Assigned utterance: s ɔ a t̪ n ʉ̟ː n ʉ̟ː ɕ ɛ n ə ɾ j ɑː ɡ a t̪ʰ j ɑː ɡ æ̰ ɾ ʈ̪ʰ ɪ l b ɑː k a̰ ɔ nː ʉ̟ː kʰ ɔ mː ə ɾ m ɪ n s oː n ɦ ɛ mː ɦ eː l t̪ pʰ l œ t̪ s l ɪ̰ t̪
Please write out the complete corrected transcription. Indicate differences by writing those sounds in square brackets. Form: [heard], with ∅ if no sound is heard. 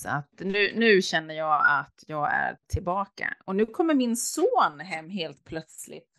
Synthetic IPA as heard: s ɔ a t̪ n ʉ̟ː n ʉ̟ː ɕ ɛ [nː] ə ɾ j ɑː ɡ a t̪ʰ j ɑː ɡ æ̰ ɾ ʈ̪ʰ ɪ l b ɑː k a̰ ɔ [n] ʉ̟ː kʰ ɔ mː ə ɾ m ɪ n s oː n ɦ ɛ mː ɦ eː l t̪ pʰ l œ t̪ s l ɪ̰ t̪